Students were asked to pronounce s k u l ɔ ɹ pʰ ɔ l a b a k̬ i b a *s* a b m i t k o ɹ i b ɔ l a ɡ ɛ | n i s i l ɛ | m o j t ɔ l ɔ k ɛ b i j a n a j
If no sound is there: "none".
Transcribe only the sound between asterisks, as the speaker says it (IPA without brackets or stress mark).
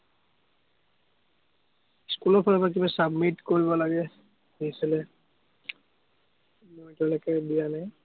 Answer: s